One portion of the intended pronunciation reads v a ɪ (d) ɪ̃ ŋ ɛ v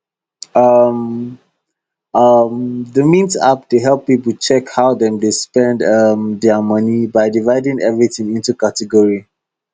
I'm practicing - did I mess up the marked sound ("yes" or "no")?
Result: no